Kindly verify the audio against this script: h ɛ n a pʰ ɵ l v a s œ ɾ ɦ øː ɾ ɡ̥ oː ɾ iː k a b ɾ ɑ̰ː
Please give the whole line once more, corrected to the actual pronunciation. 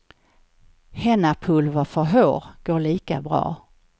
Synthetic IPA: h ɛ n a pʰ ɵ l v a f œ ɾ ɦ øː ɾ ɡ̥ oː ɭ iː k a b ɾ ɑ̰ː